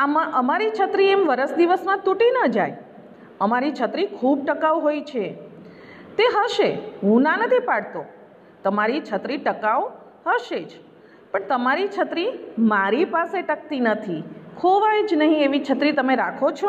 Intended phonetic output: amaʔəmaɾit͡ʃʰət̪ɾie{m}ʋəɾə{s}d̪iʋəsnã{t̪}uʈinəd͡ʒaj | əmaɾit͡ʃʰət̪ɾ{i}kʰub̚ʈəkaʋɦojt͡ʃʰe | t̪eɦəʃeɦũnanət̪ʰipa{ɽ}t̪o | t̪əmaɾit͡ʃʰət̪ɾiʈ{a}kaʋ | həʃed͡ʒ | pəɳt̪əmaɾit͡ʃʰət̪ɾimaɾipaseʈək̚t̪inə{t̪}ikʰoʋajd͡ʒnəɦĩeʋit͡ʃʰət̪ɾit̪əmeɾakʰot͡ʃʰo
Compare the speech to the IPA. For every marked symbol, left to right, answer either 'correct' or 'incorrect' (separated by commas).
correct, correct, correct, correct, correct, incorrect, incorrect